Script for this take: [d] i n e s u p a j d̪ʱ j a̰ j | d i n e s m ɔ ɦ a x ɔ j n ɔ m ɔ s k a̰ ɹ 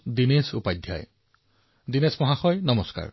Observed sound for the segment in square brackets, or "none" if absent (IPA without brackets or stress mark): d